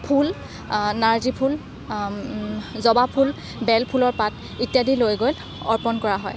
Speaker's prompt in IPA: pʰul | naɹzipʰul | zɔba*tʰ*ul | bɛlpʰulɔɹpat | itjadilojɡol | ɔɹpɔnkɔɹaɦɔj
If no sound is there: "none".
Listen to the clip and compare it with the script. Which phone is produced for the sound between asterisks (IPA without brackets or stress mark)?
pʰ